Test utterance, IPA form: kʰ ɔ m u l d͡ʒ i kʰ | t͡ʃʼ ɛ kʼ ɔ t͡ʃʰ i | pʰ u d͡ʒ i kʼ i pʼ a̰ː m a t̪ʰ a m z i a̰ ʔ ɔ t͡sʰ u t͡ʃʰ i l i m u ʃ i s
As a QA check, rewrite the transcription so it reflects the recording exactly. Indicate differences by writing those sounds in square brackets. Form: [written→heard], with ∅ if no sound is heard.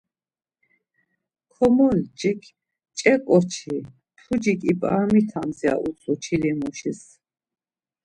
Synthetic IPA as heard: kʰ ɔ m [u→ɔ] l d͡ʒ i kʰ | t͡ʃʼ ɛ kʼ ɔ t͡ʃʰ i | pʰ u d͡ʒ i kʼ i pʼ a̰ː m [a→i] t̪ʰ a m z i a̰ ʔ [ɔ→u] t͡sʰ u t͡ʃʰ i l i m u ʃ i s

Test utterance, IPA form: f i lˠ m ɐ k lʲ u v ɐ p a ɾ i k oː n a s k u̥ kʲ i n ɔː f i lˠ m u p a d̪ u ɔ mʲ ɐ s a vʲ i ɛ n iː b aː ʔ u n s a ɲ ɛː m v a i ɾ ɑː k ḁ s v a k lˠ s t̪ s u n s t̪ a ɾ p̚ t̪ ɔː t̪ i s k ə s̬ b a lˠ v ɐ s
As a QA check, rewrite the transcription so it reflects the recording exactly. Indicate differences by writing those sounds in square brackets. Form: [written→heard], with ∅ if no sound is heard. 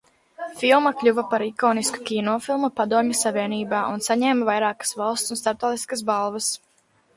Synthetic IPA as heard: f i lˠ m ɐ k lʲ u v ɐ p a ɾ i k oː n [a→i] s k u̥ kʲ i n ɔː f i lˠ m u p a d̪ u ɔ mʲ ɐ s a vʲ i ɛ n iː b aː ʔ u n s a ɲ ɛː m v a [i→j] ɾ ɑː k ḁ s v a [k→∅] lˠ s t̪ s u n s t̪ a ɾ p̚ t̪ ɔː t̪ i s k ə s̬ b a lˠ v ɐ s

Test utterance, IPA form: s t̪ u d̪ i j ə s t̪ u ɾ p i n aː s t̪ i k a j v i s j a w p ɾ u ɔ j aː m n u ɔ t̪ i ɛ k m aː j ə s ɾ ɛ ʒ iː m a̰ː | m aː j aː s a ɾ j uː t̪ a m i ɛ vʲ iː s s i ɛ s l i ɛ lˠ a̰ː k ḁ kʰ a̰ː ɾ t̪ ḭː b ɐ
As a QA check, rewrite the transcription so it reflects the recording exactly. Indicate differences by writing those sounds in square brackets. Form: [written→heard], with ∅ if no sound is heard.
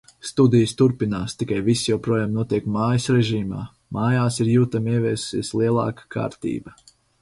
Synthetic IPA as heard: s t̪ u d̪ i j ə s t̪ u ɾ p i n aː s t̪ i k a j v i s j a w p ɾ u ɔ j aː m n u ɔ t̪ i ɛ k m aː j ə s ɾ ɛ ʒ iː m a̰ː | m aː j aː s [a→i] ɾ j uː t̪ a m i ɛ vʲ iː s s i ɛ s l i ɛ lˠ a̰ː k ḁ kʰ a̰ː ɾ t̪ ḭː b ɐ

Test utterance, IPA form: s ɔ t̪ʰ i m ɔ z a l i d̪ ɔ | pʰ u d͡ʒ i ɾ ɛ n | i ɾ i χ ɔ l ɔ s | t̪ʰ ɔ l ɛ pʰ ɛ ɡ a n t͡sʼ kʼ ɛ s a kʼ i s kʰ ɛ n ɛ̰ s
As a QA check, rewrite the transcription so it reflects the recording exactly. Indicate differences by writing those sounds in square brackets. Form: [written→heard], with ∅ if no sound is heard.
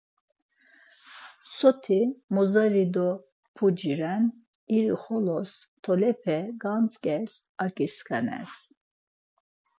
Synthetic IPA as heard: s ɔ t̪ʰ i m ɔ z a [l→ɾ] i d̪ ɔ | pʰ u d͡ʒ i ɾ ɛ n | i ɾ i χ ɔ l ɔ s | t̪ʰ ɔ l ɛ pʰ ɛ ɡ a n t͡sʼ kʼ ɛ s a kʼ i s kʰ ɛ n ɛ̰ s

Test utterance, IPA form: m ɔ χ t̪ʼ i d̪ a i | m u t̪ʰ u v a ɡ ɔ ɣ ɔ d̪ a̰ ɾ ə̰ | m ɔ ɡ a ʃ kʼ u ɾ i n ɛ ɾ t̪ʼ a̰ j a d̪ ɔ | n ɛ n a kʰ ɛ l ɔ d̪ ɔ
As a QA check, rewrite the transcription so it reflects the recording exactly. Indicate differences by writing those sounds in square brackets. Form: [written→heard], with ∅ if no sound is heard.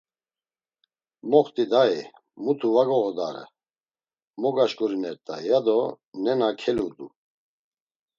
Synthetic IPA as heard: m ɔ χ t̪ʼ i d̪ a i | m u t̪ʰ u v a ɡ ɔ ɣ ɔ d̪ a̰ ɾ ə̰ | m ɔ ɡ a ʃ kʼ u ɾ i n ɛ ɾ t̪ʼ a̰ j a d̪ ɔ | n ɛ n a kʰ ɛ l [ɔ→u] d̪ [ɔ→u]

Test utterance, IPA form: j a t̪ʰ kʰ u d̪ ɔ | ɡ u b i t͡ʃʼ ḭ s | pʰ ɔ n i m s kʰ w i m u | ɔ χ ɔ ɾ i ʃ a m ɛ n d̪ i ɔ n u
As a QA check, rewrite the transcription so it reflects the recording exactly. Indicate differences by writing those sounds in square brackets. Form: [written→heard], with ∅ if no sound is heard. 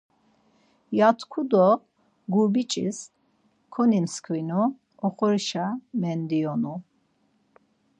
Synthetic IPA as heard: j a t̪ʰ kʰ u d̪ ɔ | ɡ u b i t͡ʃʼ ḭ s | [pʰ→kʰ] ɔ n i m s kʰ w i [m→n] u | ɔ χ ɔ ɾ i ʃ a m ɛ n d̪ i ɔ n u

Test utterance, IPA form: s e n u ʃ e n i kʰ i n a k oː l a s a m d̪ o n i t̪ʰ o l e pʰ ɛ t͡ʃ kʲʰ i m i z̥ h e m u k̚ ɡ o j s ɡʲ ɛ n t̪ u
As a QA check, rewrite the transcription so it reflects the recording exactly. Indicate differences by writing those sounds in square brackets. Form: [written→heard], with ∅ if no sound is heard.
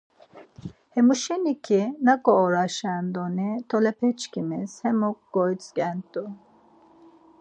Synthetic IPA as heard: [s→h] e [n→m] u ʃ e n i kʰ i n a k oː [l→ɾ] a [s→ʃ] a [m→n] d̪ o n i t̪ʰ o l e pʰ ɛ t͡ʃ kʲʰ i m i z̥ h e m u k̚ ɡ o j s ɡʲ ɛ n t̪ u

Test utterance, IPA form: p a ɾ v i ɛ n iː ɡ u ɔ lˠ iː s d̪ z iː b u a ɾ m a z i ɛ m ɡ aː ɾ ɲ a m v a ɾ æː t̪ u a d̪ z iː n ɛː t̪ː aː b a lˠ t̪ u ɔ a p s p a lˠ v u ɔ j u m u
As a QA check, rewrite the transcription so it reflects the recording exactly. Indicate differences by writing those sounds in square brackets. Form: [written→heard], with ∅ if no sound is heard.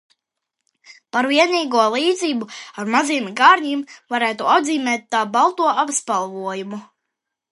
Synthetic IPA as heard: p a ɾ v i ɛ n iː ɡ u ɔ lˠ iː [s→∅] d̪ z iː b u a ɾ m a z i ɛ m ɡ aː ɾ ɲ [a→i] m v a ɾ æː t̪ u a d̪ z iː [n→m] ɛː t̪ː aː b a lˠ t̪ u ɔ a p s p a lˠ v u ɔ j u m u

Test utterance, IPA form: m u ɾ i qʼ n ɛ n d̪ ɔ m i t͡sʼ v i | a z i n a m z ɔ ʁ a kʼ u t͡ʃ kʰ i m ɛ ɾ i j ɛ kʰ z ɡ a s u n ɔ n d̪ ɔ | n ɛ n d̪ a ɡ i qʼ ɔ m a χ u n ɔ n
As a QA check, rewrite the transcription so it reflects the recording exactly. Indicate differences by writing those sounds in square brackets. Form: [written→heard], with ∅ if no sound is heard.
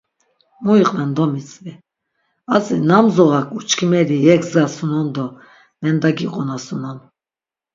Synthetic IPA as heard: m u [ɾ→∅] i qʼ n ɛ n d̪ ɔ m i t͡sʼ v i | a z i n a m z ɔ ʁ a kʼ u t͡ʃ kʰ i m ɛ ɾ i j ɛ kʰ z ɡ a s u n ɔ n d̪ ɔ | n ɛ n d̪ a ɡ i qʼ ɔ [m→n] a [χ→s] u n ɔ n

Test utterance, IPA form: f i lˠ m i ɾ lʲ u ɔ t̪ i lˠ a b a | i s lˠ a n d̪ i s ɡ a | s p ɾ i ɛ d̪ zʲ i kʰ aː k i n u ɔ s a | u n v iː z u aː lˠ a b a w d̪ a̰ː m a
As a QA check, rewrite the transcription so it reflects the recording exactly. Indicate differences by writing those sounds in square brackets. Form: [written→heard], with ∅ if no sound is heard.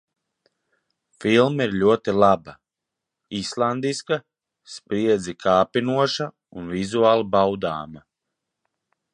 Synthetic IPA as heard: f i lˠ m i ɾ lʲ u ɔ t̪ i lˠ a b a | i s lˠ a n d̪ i s [ɡ→k] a | s p ɾ i ɛ d̪ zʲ i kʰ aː [k→p] i n u ɔ [s→ʃ] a | u n v [iː→i] z u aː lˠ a b a w d̪ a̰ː m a

